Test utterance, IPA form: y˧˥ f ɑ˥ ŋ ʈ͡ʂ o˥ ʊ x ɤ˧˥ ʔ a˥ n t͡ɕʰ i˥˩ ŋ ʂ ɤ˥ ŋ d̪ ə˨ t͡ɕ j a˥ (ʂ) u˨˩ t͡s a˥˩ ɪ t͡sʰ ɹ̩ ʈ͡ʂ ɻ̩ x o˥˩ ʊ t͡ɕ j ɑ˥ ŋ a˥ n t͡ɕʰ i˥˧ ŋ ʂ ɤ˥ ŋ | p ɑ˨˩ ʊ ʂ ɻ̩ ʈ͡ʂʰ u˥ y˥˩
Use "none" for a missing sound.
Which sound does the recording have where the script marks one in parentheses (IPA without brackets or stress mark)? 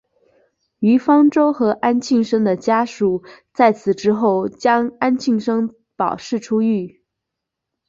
ʂ